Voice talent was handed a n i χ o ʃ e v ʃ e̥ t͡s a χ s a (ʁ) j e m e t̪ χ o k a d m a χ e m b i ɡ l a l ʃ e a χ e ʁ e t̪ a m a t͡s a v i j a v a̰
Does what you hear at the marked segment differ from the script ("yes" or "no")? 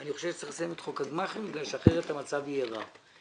yes